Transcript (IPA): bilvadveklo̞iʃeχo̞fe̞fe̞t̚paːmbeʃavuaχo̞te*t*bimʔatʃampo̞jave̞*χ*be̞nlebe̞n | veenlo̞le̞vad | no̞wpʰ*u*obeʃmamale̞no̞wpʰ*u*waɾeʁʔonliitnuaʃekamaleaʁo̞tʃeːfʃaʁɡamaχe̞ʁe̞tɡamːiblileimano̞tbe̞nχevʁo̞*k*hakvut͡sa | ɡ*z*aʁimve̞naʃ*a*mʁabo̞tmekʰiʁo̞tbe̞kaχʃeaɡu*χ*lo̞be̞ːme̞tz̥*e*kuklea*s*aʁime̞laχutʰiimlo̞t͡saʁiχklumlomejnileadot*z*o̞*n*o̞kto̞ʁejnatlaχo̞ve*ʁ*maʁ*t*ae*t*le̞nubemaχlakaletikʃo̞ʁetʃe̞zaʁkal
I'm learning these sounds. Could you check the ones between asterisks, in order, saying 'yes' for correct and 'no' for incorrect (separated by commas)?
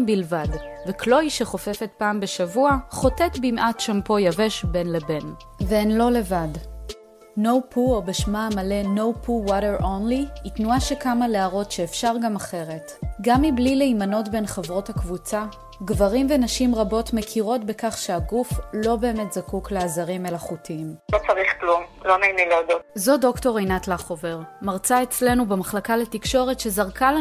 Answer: yes, no, yes, yes, no, no, no, no, no, no, yes, no, yes, no, no